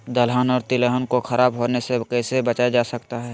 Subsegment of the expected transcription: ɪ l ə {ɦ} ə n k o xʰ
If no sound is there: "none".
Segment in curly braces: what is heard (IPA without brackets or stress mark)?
ɦ